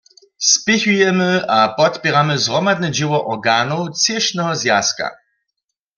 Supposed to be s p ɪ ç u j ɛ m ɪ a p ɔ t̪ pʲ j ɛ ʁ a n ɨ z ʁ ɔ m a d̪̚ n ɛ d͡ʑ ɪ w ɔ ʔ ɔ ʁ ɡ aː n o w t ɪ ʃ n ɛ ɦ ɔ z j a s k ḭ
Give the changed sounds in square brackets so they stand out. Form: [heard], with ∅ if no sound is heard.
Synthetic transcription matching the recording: s p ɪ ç u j ɛ m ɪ a p ɔ t̪ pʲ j ɛ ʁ a [m] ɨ z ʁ ɔ m a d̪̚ n ɛ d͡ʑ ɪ w ɔ ʔ ɔ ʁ ɡ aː n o w [t͡s] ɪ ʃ n ɛ ɦ ɔ z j a s k [a̰]